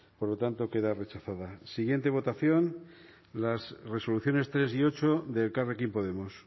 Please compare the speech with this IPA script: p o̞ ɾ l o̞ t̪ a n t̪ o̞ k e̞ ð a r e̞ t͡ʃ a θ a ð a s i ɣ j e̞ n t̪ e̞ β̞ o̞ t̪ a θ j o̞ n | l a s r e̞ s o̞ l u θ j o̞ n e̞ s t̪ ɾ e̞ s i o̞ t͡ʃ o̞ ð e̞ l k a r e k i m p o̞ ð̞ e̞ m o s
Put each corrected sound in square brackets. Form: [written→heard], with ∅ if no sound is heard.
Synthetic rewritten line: p o̞ ɾ l o̞ t̪ a n t̪ o̞ k e̞ ð a r e̞ t͡ʃ a θ a ð a s i ɣ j e̞ n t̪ e̞ β̞ o̞ t̪ a θ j o̞ n | l a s r e̞ s o̞ l u θ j o̞ n e̞ s t̪ ɾ e̞ s i o̞ t͡ʃ o̞ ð e̞ l k a r e k i m p o̞ ð̞ e̞ m o s